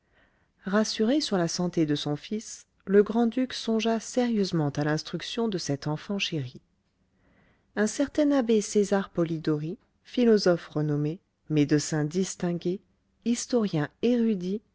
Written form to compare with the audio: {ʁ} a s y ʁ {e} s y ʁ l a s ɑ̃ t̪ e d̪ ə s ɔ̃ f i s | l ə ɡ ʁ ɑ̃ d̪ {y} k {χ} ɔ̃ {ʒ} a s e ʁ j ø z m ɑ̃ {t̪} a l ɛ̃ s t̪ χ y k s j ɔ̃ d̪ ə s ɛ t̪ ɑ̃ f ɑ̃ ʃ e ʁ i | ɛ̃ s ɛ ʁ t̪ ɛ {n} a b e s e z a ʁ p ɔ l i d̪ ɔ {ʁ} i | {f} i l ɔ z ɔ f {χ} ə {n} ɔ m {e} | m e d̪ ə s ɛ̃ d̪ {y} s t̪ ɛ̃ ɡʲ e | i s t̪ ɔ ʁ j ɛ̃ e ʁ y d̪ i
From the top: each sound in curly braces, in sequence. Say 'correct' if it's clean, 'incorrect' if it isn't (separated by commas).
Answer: correct, correct, correct, incorrect, correct, correct, correct, correct, correct, incorrect, correct, correct, incorrect